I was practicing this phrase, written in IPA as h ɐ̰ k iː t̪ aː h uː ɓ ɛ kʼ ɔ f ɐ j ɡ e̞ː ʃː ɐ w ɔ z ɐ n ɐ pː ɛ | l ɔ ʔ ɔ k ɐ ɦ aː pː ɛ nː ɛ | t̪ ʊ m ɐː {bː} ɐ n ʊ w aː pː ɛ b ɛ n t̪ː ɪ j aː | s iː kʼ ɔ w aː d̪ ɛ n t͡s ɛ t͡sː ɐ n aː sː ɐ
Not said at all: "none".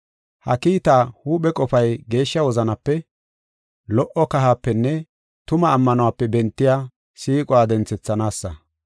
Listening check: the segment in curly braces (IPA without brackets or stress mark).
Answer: mː